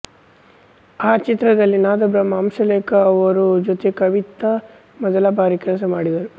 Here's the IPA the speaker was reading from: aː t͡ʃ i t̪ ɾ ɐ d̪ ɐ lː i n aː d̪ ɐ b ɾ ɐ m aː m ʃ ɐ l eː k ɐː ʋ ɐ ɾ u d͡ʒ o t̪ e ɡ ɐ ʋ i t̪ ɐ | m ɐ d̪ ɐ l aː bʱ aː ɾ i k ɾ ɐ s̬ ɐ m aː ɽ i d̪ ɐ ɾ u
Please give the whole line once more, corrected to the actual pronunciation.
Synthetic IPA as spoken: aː t͡ʃ i t̪ ɾ ɐ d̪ ɐ lː i n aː d̪ ɐ b ɾ ɐ m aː m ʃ ɐ l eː k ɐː ʋ ɐ ɾ u d͡ʒ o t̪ e k ɐ ʋ i t̪ ɐ | m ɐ d̪ ɐ l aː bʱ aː ɾ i k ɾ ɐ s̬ ɐ m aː ɽ i d̪ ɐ ɾ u